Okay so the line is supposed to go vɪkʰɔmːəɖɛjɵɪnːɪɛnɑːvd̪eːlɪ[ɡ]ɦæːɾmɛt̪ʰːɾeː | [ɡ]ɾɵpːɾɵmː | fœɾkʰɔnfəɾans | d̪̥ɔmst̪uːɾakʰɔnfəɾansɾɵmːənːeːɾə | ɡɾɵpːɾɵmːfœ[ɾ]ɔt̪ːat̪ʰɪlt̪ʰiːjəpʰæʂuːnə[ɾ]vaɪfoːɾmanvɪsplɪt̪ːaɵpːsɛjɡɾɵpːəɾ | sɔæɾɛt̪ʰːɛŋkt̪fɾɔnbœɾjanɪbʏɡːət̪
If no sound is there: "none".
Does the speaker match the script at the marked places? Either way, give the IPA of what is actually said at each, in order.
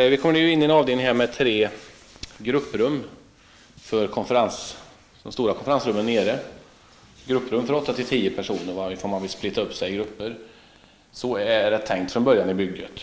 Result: ŋ, ɡ, ɾ, ɾ

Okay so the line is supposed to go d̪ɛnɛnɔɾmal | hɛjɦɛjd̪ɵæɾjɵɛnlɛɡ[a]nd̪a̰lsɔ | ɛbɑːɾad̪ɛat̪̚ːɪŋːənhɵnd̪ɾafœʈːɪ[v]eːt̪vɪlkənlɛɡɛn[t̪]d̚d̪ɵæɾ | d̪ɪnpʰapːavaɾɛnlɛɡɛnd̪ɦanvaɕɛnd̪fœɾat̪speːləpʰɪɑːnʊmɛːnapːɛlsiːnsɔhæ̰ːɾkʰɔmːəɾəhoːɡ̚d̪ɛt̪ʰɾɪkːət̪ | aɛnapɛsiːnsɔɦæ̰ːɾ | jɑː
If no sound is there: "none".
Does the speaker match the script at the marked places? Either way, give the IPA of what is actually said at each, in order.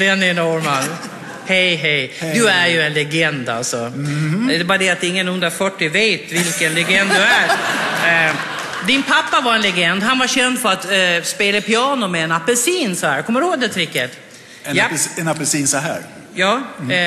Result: ɛ, v, d̪

